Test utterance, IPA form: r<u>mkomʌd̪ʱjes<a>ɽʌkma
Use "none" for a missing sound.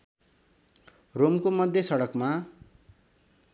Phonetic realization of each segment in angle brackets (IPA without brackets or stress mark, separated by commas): o, ʌ